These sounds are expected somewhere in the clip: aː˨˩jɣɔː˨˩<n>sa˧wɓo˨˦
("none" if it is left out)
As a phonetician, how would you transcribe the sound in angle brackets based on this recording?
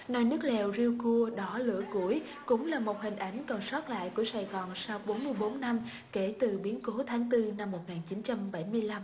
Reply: n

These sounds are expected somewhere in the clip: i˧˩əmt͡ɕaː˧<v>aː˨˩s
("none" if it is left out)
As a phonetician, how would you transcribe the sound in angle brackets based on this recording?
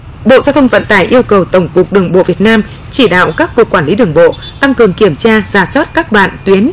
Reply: z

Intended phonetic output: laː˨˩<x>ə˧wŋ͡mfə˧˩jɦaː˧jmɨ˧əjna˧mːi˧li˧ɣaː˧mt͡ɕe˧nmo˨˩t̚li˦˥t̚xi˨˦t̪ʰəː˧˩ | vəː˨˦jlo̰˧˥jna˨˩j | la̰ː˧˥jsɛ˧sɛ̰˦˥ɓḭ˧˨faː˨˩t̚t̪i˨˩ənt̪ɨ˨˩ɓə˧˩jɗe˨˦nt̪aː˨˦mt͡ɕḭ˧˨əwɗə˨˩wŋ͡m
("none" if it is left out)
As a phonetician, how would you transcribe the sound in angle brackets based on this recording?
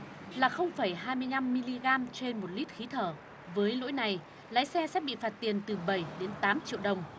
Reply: x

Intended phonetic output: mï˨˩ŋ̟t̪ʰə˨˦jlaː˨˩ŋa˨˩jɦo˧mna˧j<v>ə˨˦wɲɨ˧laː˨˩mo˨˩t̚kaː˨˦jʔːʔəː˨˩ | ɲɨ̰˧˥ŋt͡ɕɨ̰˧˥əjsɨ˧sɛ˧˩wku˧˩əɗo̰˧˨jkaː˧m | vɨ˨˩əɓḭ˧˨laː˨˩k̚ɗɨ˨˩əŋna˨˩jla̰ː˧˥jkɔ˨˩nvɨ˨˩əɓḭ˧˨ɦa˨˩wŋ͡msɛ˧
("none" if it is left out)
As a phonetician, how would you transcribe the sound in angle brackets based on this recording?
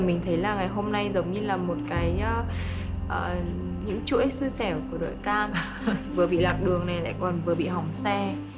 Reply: z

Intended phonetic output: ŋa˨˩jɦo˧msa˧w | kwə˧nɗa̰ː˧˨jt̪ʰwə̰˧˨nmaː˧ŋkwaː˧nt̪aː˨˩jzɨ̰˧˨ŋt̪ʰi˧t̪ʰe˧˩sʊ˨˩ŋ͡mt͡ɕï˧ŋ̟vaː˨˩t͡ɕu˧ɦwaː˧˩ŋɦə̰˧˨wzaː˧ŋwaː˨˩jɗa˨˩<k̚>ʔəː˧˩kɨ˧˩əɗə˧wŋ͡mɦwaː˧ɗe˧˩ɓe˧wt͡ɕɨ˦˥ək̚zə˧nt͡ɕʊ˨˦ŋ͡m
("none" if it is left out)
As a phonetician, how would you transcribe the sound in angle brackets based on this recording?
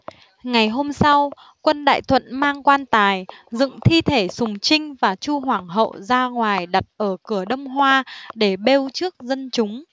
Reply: t̚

